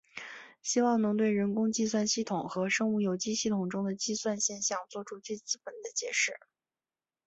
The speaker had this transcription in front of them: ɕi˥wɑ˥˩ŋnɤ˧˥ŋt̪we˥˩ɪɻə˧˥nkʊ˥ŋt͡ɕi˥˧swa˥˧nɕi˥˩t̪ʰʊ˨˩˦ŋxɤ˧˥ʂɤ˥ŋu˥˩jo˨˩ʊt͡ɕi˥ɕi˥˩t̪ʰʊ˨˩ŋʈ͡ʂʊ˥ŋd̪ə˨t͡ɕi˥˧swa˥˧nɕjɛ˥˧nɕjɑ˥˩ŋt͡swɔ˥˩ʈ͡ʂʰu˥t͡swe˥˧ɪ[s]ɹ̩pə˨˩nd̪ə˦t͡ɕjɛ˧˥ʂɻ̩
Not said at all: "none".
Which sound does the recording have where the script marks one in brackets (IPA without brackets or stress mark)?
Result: t͡s